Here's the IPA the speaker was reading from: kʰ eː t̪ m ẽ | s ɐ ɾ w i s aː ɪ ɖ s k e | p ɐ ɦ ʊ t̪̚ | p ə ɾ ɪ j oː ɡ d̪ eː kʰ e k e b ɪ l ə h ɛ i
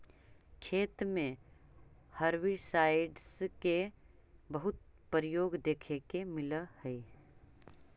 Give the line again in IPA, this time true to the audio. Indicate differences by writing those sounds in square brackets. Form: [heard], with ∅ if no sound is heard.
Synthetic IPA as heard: kʰ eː t̪ m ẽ | [h] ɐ ɾ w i s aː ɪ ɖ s k e | [b] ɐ ɦ ʊ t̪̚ | p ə ɾ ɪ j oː ɡ d̪ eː kʰ e k e [m] ɪ l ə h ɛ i